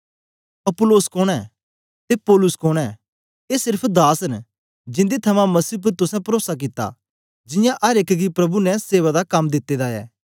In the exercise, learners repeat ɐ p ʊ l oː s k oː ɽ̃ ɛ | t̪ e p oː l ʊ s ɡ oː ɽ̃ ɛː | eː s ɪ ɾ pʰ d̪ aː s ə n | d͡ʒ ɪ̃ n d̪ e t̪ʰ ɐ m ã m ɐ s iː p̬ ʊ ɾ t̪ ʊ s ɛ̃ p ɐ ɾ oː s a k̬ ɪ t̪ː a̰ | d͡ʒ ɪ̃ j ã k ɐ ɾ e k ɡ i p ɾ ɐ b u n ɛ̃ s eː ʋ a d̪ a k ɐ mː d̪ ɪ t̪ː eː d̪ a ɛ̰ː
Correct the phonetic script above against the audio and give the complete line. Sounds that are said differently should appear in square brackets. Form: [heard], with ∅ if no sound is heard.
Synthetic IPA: ɐ p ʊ l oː s k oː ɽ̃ ɛ | t̪ e p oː l ʊ s [k] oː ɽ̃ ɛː | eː s ɪ ɾ pʰ d̪ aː s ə n | d͡ʒ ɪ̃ n d̪ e t̪ʰ ɐ m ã m ɐ s iː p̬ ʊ ɾ t̪ ʊ s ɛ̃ p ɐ ɾ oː s a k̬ ɪ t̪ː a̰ | d͡ʒ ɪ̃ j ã [ʔ] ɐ ɾ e k ɡ i p ɾ ɐ b u n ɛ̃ s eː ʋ a d̪ a k ɐ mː d̪ ɪ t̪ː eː d̪ a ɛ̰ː